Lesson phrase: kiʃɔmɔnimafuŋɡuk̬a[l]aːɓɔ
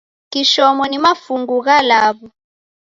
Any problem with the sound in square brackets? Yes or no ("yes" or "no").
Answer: no